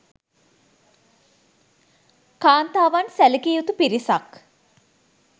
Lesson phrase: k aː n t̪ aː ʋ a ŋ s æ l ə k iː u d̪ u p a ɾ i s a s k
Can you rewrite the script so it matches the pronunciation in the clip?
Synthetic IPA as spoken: k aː n t̪ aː ʋ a n s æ l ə k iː u t̪ u p i ɾ i s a k